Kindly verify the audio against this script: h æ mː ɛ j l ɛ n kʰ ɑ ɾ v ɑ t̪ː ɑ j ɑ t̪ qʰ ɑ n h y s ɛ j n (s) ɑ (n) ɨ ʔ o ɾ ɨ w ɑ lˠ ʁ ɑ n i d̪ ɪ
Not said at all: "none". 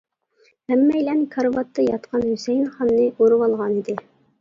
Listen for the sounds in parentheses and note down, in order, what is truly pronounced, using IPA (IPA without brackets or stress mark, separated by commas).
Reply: χ, nː